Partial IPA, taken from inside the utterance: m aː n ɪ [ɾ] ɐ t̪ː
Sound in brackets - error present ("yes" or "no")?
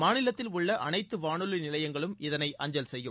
yes